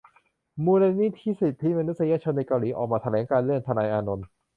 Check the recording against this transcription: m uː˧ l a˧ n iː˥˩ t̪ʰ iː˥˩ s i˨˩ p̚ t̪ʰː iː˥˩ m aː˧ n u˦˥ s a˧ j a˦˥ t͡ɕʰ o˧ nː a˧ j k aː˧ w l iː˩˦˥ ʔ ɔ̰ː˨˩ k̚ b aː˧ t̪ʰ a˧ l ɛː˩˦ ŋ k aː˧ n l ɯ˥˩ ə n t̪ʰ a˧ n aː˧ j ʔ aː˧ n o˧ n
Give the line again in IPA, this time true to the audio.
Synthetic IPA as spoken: m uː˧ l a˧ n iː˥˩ t̪ʰ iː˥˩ s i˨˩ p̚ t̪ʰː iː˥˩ m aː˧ n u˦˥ s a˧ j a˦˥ t͡ɕʰ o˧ nː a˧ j k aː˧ w l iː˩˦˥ ʔ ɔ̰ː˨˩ k̚ m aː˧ t̪ʰ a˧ l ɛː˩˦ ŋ k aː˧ n l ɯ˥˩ ə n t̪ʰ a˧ n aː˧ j ʔ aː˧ n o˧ n